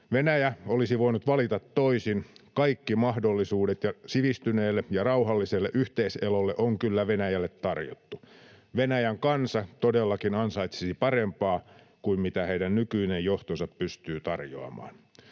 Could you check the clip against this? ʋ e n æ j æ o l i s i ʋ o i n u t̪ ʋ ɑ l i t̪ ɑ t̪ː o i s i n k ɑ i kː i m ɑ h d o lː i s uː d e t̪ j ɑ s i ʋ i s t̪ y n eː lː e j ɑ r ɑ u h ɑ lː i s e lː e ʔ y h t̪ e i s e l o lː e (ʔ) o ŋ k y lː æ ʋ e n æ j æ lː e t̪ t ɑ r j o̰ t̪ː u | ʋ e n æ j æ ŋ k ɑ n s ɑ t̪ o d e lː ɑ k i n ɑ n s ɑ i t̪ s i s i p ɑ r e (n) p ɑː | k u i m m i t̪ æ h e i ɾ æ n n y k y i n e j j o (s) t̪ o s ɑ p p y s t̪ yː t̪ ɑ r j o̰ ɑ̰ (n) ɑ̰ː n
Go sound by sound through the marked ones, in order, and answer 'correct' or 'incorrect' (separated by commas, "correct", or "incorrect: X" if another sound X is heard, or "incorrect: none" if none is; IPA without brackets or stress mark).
correct, incorrect: m, incorrect: h, incorrect: m